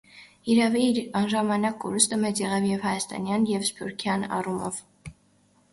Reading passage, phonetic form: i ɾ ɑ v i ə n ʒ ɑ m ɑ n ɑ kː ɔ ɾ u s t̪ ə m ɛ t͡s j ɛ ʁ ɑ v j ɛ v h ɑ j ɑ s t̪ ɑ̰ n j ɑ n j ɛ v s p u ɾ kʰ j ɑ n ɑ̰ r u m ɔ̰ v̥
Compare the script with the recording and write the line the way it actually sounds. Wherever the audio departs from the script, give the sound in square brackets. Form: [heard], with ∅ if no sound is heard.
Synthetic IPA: i ɾ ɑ v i [ɑ] n ʒ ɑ m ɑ n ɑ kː ɔ ɾ u s t̪ ə m ɛ t͡s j ɛ ʁ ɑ v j ɛ v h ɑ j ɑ s t̪ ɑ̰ n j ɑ n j ɛ v s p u ɾ kʰ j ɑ n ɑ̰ r u m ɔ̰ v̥